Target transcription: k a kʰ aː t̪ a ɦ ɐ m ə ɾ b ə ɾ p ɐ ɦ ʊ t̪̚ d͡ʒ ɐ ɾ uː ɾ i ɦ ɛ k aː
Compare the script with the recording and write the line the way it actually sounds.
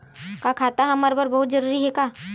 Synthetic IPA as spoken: k a kʰ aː t̪ a ɦ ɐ m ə ɾ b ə ɾ b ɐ ɦ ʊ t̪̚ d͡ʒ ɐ ɾ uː ɾ i ɦ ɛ k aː